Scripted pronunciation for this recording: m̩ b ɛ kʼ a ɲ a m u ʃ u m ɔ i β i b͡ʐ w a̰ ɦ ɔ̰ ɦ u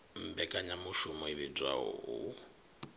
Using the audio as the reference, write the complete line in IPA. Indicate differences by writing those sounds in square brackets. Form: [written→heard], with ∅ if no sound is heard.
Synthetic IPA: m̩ b ɛ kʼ a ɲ a m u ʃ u m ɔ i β i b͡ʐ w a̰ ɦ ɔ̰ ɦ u